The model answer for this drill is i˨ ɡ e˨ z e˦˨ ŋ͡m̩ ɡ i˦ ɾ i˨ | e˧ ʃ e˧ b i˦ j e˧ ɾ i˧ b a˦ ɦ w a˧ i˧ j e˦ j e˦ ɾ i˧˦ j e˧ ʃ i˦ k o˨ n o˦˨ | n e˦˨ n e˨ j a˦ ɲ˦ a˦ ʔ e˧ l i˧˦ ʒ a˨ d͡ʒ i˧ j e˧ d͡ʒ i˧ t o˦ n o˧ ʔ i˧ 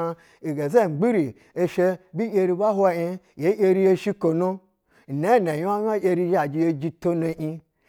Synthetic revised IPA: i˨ ɡ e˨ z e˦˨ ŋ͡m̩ ɡ͡b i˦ ɾ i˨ | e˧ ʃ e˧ b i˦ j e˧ ɾ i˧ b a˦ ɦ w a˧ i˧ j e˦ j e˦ ɾ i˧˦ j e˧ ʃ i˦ k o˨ n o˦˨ | n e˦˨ n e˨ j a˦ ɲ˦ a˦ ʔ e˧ ɾ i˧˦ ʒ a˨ d͡ʒ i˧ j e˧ d͡ʒ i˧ t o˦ n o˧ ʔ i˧